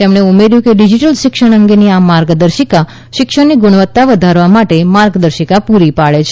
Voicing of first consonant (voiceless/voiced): voiceless